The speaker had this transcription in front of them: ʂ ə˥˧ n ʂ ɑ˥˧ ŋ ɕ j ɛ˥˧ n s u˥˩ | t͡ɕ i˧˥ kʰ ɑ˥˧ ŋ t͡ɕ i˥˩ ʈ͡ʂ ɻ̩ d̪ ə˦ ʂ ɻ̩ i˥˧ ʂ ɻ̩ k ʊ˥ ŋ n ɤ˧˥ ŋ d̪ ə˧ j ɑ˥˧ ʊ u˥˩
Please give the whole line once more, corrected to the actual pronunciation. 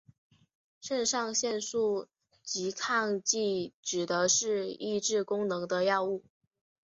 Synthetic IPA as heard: ʂ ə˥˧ n ʂ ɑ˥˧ ŋ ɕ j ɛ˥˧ n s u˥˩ | t͡ɕ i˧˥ kʰ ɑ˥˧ ŋ t͡ɕ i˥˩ ʈ͡ʂ ɻ̩ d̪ ə˦ ʂ ɻ̩ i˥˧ ʈ͡ʂ ɻ̩ k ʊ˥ ŋ n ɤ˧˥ ŋ d̪ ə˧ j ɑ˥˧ ʊ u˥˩

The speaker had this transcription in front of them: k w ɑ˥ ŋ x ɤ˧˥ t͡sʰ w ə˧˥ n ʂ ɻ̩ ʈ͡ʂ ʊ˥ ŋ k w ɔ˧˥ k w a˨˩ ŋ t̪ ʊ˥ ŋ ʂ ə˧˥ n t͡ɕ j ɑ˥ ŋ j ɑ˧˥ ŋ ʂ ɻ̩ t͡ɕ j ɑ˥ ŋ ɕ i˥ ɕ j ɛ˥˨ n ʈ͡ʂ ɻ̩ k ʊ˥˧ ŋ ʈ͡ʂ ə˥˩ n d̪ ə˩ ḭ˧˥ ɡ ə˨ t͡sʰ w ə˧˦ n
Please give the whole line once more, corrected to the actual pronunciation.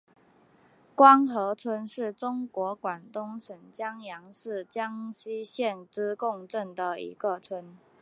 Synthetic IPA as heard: k w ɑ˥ ŋ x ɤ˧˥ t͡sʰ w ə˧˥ n ʂ ɻ̩ ʈ͡ʂ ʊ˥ ŋ k w ɔ˧˥ k w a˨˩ n t̪ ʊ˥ ŋ ʂ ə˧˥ n t͡ɕ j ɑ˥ ŋ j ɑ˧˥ ŋ ʂ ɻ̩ t͡ɕ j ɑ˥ ŋ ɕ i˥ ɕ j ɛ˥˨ n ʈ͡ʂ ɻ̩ k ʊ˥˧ ŋ ʈ͡ʂ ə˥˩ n d̪ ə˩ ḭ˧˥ ɡ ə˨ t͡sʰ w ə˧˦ n

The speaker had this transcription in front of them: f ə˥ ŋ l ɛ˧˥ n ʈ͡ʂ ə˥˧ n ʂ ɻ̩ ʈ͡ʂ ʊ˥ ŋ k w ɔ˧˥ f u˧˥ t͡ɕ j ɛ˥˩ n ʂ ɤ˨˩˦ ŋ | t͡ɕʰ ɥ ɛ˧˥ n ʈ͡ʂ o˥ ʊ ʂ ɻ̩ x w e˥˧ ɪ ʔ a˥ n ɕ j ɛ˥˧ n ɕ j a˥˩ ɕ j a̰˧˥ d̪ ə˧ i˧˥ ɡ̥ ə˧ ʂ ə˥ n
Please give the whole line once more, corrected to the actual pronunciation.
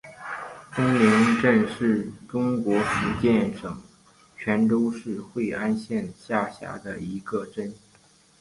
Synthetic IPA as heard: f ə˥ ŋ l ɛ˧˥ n ʈ͡ʂ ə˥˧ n ʂ ɻ̩ ʈ͡ʂ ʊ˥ ŋ k w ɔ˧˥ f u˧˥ t͡ɕ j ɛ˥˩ n ʂ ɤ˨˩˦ ŋ | t͡ɕʰ ɥ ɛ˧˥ n ʈ͡ʂ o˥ ʊ ʂ ɻ̩ x w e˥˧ ɪ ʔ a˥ n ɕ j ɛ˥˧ n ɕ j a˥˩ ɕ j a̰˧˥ d̪ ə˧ i˧˥ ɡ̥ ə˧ ʈ͡ʂ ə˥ n

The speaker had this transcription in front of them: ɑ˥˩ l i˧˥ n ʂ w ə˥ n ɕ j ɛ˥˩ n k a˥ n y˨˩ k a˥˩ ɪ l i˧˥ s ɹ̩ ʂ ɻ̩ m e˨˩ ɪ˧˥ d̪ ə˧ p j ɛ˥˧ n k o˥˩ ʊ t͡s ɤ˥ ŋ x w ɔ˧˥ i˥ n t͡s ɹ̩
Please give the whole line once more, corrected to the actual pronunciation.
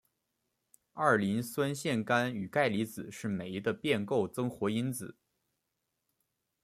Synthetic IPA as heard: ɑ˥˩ l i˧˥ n s w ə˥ n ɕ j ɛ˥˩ n k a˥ n y˨˩ k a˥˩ ɪ l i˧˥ t͡s ɹ̩ ʂ ɻ̩ m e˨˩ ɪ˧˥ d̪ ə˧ p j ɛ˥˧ n k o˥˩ ʊ t͡s ɤ˥ ŋ x w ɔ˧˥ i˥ n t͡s ɹ̩

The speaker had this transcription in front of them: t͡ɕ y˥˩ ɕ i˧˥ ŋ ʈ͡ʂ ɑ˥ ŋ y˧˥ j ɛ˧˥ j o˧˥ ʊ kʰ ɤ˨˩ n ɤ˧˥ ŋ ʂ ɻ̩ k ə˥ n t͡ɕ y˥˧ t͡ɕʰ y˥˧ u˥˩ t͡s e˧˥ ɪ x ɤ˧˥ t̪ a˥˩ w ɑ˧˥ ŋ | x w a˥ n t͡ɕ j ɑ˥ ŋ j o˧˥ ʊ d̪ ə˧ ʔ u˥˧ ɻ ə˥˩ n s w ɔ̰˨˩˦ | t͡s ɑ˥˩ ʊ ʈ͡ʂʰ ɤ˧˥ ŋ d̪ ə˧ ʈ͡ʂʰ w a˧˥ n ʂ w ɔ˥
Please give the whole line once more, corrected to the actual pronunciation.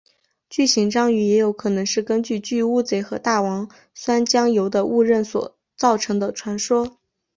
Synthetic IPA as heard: t͡ɕ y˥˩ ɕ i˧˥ ŋ ʈ͡ʂ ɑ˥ ŋ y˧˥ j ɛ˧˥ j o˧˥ ʊ kʰ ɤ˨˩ n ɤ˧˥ ŋ ʂ ɻ̩ k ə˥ n t͡ɕ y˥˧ t͡ɕ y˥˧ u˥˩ t͡s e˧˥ ɪ x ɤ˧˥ t̪ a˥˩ w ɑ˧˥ ŋ | s w a˥ n t͡ɕ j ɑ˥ ŋ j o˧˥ ʊ d̪ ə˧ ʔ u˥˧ ɻ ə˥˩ n s w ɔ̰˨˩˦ | t͡s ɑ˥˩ ʊ ʈ͡ʂʰ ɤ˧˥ ŋ d̪ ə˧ ʈ͡ʂʰ w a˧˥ n ʂ w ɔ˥

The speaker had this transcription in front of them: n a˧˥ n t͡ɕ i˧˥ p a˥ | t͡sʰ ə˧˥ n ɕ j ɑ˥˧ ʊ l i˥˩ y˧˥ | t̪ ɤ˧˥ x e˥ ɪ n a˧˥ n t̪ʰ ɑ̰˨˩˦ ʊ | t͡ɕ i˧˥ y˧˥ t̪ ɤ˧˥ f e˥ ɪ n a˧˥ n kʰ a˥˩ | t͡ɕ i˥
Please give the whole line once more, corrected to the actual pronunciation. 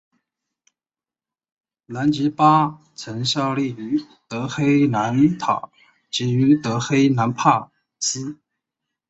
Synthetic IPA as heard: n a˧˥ n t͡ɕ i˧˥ p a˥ | t͡sʰ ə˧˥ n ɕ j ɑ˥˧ ʊ l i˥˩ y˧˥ | t̪ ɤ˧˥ x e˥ ɪ n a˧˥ n t̪ʰ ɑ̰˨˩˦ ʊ | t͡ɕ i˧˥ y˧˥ t̪ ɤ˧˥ x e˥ ɪ n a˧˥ n pʰ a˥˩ | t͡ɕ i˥

